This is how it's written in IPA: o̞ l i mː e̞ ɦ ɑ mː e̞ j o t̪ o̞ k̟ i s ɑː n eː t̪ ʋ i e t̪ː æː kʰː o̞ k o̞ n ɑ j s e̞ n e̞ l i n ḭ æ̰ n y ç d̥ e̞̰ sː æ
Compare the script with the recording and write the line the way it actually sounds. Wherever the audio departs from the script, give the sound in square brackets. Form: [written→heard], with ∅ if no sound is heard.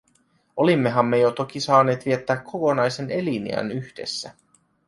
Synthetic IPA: o̞ l i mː e̞ ɦ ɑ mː e̞ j o t̪ o̞ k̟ i s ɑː n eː t̪ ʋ i e t̪ː æː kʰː o̞ k o̞ n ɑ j s e̞ n e̞ l i n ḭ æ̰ n y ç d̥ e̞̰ sː æ